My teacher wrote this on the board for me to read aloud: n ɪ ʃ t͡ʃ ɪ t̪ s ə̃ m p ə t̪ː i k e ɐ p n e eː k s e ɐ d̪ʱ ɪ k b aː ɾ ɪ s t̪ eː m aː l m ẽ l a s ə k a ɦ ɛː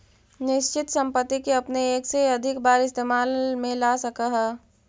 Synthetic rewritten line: n ɪ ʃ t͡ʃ ɪ t̪ s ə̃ m p ə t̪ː i k e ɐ p n e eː k s e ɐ d̪ʱ ɪ k b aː ɾ ɪ s t̪ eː m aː l m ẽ l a s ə k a ɦ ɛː

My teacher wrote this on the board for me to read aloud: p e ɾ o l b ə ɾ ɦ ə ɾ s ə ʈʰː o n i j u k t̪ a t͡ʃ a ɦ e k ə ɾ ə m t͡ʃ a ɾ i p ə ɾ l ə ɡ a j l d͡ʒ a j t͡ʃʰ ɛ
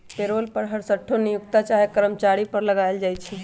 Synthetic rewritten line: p e ɾ o l p ə ɾ ɦ ə ɾ s ə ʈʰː o n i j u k t̪ a t͡ʃ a ɦ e k ə ɾ ə m t͡ʃ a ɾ i p ə ɾ l ə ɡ a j l d͡ʒ a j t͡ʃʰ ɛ

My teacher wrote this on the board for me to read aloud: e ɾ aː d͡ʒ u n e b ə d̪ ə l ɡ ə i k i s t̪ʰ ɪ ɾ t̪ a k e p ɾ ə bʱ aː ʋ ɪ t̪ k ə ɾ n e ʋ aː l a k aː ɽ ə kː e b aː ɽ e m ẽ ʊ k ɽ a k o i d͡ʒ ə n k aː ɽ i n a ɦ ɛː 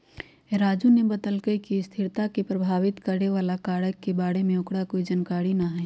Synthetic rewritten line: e ɾ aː d͡ʒ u n e b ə d̪ ə l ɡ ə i k i s t̪ʰ ɪ ɾ t̪ a k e p ɾ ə bʱ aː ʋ ɪ t̪ k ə ɾ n e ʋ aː l a k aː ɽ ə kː e b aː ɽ e m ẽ ʊ k ɽ a k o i d͡ʒ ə n k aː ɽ i n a ɦ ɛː

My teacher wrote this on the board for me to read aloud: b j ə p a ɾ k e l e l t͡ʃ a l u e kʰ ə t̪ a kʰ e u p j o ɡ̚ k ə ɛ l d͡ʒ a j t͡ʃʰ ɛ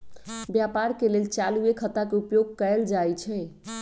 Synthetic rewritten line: b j a p a ɾ k e l e l t͡ʃ a l u e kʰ ə t̪ a k e u p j o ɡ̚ k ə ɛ l d͡ʒ a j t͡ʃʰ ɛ

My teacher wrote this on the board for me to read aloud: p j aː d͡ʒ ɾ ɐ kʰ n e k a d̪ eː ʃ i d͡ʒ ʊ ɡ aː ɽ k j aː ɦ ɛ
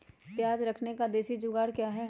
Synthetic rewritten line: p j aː d͡ʒ ɾ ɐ kʰ n e k a d̪ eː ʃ i d͡ʒ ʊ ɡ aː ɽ k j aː ɦ ɛ

